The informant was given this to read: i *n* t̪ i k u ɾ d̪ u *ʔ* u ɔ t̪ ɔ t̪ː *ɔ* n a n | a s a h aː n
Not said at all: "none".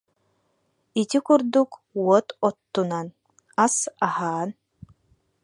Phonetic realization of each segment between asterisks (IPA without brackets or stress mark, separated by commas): none, k, u